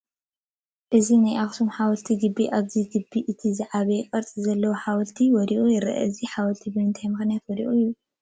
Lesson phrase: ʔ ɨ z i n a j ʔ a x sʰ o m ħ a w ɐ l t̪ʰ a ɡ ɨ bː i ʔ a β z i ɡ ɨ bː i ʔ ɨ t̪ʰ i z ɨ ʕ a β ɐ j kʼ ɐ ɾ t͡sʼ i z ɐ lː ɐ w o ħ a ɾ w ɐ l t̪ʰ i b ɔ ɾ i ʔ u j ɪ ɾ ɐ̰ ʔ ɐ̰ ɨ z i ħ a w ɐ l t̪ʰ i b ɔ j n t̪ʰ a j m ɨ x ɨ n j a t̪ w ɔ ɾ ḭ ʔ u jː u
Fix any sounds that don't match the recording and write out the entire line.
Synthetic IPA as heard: ʔ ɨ z i n a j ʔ a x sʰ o m ħ a w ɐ l t̪ʰ i ɡ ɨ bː i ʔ a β z i ɡ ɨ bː i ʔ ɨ t̪ʰ i z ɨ ʕ a β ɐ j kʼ ɐ ɾ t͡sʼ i z ɐ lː ɐ w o ħ a w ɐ l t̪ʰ i w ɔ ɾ i ʔ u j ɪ ɾ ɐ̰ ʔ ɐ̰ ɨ z i ħ a w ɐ l t̪ʰ i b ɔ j n t̪ʰ a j m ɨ x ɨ n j a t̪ w ɔ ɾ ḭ ʔ u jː u

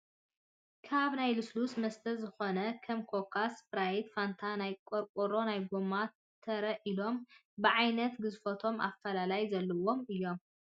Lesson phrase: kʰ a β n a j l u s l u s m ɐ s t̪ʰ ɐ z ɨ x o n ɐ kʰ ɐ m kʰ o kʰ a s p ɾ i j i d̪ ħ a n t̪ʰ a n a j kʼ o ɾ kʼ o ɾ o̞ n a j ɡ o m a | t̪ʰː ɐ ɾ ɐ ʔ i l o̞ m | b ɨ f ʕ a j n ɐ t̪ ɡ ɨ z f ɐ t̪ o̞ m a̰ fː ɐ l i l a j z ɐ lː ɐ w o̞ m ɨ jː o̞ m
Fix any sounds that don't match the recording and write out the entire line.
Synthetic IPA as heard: kʰ a β n a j l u s l u s m ɐ s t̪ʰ ɐ z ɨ x o n ɐ kʰ ɐ m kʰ o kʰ a s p ɾ a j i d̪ f a n t̪ʰ a n a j kʼ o ɾ kʼ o ɾ o̞ n a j ɡ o m a | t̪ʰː ɐ ɾ ɐ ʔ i l o̞ m | b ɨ ʕ a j n ɐ t̪ ɡ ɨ z f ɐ t̪ʰ o̞ m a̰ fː ɐ l a l a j z ɐ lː ɐ w o̞ m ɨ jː o̞ m

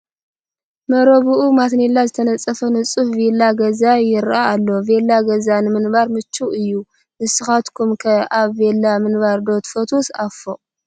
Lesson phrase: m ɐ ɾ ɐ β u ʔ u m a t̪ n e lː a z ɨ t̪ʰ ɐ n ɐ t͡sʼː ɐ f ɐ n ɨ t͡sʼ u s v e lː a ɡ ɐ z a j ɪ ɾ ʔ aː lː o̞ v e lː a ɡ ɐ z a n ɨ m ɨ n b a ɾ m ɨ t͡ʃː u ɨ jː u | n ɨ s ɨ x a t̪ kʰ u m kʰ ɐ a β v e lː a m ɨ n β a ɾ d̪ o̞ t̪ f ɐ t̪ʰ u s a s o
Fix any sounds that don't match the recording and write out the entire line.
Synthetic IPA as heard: m ɐ ɾ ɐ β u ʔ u m a t̪ n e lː a z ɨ t̪ʰ ɐ n ɐ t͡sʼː ɐ f ɐ n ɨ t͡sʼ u f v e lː a ɡ ɐ z a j ɪ ɾ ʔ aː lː o̞ v e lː a ɡ ɐ z a n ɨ m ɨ n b a ɾ m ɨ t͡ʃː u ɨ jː u | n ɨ s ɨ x a t̪ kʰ u m kʰ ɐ a β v e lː a m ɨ n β a ɾ d̪ o̞ t̪ f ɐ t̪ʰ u s a f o

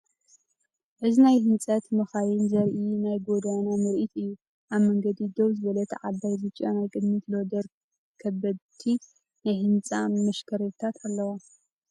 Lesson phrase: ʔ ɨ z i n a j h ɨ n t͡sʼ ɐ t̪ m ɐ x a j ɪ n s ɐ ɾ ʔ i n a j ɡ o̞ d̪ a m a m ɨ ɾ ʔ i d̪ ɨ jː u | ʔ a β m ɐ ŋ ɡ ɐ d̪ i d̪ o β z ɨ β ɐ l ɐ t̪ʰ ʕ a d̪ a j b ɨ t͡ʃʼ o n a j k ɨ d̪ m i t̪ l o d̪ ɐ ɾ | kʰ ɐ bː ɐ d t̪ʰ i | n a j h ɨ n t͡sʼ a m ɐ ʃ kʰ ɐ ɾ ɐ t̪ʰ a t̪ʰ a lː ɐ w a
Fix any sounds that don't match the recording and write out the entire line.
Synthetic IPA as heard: ʔ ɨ z i n a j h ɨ n t͡sʼ ɐ t̪ m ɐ x a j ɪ n z ɐ ɾ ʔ i n a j ɡ o̞ d̪ a n a m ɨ ɾ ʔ i t̪ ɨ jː u | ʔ a β m ɐ ŋ ɡ ɐ d̪ i d̪ o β z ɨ β ɐ l ɐ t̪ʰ ʕ a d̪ a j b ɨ t͡ʃʼ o n a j kʼ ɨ d̪ m i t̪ l o d̪ ɐ ɾ | kʰ ɐ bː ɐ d t̪ʰ i | n a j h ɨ n t͡sʼ a m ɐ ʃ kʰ ɐ ɾ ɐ t̪ʰ a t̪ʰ a lː ɐ w a

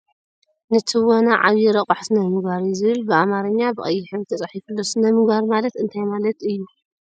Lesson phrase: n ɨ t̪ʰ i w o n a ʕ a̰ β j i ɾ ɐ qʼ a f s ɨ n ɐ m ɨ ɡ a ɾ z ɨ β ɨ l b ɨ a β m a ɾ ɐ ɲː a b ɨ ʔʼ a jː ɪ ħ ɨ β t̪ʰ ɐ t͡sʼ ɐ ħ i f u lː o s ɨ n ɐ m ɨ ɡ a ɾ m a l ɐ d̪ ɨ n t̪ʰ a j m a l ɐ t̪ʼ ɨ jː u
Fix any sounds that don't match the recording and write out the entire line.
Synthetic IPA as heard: n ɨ t̪ʰ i w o n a ʕ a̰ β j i ɾ ɐ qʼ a ħ s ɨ n ɐ m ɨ ɡ a ɾ z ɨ β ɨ l b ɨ a m a ɾ ɐ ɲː a b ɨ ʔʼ ɐ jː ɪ ħ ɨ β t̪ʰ ɐ t͡sʼ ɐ ħ i f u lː o s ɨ n ɐ m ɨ ɡ a ɾ m a l ɐ t̪ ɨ n t̪ʰ a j m a l ɐ t̪ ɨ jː u

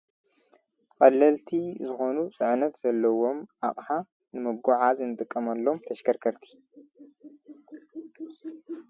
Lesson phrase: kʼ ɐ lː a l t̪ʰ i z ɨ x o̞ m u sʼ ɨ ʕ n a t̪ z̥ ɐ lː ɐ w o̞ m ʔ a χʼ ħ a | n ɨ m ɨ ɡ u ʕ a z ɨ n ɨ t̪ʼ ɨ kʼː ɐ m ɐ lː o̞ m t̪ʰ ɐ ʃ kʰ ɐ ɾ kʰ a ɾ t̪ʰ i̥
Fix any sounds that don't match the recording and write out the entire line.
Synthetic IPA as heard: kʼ ɐ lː ɐ l t̪ʰ i z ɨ x o̞ n u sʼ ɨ ʕ n ɐ t̪ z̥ ɐ lː ɐ w o̞ m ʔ a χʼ ħ a | n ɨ m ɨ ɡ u ʕ a z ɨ n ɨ t̪ʼ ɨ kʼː ɐ m ɐ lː o̞ m t̪ʰ ɐ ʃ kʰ ɐ ɾ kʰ ɐ ɾ t̪ʰ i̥

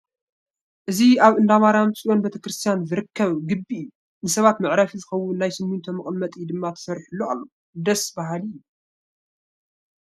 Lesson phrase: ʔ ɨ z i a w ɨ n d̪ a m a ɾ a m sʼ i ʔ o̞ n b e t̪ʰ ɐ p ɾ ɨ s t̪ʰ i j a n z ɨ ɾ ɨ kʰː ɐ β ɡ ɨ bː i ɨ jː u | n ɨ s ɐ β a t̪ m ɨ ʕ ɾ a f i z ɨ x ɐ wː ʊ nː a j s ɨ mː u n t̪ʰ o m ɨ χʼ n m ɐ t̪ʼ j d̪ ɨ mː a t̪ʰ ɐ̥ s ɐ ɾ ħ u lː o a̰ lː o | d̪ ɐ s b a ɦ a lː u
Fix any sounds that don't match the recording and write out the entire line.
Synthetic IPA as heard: ʔ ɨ z i a β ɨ n d̪ a m a ɾ a m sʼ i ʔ o̞ n b e t̪ʰ ɐ k ɾ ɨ s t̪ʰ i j a n z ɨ ɾ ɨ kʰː ɐ β ɡ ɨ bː i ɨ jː u | n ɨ s ɐ β a t̪ m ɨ ʕ ɾ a f i z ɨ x ɐ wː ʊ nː a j s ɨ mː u n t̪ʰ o m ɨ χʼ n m ɐ t̪ʼ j d̪ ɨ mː a t̪ʰ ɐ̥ s ɐ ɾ ħ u lː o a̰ lː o | d̪ ɐ s b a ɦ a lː u

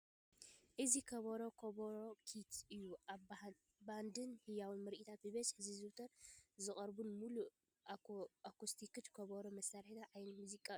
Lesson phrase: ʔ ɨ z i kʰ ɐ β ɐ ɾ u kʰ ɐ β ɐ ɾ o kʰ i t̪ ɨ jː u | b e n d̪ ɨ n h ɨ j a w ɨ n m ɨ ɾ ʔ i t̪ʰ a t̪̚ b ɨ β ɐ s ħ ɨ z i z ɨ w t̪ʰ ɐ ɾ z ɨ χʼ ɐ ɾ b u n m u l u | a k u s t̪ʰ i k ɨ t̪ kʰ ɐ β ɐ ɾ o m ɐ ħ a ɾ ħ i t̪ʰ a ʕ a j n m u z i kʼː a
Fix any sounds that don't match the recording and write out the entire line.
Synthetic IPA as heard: ʔ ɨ z i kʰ ɐ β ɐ ɾ o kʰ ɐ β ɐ ɾ o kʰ i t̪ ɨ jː u | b a n d̪ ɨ n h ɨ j a w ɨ n m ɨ ɾ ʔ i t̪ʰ a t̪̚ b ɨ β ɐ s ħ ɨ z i z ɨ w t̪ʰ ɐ ɾ z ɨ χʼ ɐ ɾ b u n m u l u | a k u s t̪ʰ i k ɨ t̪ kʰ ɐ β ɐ ɾ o m ɐ s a ɾ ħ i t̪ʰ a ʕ a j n m u z i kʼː a

